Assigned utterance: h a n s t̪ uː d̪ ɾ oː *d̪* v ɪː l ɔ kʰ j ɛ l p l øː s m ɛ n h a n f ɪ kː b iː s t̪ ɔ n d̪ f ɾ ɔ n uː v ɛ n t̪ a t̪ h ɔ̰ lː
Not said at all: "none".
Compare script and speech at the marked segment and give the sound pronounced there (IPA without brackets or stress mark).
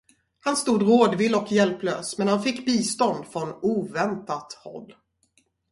d̪